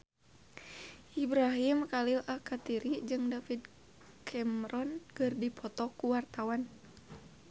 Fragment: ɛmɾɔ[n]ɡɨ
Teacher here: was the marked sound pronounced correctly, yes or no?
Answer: yes